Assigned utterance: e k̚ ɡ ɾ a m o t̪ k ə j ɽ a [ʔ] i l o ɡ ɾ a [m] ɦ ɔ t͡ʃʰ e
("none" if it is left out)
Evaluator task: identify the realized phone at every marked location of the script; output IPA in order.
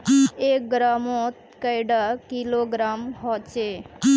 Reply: k, m

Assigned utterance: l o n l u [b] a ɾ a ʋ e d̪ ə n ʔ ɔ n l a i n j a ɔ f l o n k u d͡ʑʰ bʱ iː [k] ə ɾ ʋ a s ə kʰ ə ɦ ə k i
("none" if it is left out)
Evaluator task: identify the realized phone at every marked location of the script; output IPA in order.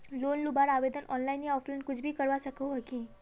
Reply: b, k

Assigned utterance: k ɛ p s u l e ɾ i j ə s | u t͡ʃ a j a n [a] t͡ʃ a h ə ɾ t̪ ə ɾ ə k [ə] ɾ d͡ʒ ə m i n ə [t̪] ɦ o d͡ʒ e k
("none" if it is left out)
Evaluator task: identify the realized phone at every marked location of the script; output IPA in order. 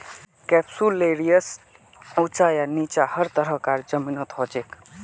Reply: i, a, t̪

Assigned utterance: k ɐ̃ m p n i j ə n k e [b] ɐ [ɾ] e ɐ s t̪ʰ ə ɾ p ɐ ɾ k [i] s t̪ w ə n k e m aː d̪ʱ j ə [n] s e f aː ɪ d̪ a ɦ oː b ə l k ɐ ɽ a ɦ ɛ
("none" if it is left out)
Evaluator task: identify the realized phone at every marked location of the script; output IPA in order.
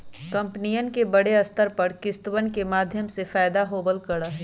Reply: b, ɽ, ɪ, m

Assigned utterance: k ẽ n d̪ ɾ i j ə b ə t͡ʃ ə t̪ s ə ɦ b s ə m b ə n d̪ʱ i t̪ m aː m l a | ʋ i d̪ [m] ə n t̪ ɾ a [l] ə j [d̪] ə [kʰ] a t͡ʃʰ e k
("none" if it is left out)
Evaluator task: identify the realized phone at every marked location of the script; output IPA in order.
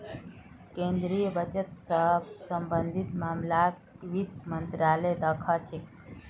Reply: m, l, d̪, kʰ

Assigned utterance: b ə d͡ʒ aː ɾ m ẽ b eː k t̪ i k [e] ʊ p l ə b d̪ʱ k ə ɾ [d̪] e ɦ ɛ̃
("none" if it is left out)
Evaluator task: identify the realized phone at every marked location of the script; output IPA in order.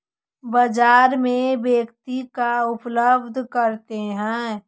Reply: a, t̪

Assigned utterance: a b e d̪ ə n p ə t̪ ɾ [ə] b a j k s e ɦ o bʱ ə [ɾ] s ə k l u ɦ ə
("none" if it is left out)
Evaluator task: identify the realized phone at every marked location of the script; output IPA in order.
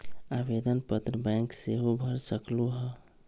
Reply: ə, ɾ

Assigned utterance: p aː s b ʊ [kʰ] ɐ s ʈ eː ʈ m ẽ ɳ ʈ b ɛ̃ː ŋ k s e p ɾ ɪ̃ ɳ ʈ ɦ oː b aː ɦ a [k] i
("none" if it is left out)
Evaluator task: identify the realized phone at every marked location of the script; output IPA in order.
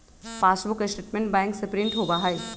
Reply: k, none

